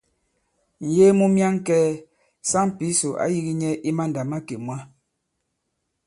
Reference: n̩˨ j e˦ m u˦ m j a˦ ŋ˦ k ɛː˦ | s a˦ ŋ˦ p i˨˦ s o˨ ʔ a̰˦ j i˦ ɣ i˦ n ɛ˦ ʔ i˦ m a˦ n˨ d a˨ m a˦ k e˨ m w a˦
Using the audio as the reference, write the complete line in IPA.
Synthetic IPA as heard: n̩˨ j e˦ m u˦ m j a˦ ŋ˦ k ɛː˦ | s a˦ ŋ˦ p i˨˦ s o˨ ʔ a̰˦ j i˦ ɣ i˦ ɲ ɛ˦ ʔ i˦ m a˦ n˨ d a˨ m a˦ k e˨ m w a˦